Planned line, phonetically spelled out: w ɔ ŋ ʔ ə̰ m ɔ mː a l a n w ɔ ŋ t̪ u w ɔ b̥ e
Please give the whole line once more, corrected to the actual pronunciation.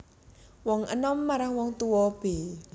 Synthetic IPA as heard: w ɔ ŋ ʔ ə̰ n ɔ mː a ɾ a ŋ w ɔ ŋ t̪ u w ɔ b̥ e